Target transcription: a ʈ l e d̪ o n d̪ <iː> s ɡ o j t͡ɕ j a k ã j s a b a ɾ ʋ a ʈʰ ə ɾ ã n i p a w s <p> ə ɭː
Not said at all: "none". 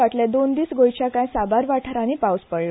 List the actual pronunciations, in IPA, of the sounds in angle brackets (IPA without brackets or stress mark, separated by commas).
iː, p